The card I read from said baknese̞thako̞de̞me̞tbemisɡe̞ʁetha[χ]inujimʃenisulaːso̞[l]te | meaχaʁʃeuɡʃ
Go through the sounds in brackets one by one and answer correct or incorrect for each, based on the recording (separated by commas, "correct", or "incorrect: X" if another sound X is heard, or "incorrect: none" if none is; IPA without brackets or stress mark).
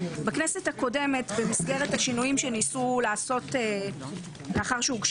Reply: incorrect: ʃ, incorrect: none